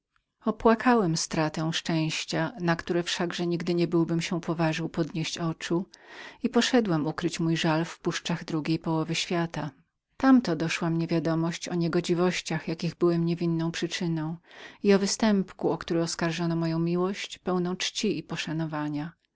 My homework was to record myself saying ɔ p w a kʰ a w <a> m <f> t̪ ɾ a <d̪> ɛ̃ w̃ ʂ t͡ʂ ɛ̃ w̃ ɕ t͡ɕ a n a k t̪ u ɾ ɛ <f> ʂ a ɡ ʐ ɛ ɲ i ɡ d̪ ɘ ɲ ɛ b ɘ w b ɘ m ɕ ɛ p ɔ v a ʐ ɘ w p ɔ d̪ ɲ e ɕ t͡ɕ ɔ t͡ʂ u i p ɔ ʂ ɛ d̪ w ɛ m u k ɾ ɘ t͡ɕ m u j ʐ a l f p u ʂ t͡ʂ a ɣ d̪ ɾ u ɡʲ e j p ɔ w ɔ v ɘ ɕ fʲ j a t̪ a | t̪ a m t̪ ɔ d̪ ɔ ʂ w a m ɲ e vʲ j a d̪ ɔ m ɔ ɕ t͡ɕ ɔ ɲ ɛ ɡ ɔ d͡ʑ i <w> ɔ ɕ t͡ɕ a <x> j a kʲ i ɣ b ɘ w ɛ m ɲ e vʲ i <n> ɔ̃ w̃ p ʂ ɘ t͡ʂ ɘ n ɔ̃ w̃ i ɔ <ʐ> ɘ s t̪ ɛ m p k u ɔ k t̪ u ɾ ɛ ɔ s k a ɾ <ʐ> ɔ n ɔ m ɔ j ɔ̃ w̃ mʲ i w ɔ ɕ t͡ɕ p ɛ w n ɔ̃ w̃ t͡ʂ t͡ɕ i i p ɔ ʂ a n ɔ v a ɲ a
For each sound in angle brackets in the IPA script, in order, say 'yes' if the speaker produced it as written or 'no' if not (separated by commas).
no, no, no, yes, no, yes, no, no, yes